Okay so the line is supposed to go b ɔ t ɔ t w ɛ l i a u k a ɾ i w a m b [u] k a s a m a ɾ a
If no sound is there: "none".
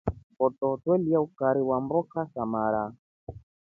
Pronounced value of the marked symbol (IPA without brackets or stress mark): ɔ